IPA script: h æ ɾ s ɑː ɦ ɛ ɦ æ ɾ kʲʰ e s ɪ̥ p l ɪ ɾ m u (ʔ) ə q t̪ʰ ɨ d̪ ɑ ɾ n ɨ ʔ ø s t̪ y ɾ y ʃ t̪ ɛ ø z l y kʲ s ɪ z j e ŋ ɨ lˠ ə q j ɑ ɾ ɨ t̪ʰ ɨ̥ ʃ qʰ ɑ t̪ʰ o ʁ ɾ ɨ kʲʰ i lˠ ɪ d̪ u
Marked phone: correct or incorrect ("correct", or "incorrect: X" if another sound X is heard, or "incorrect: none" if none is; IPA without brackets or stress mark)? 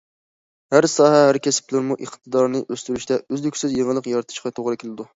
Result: correct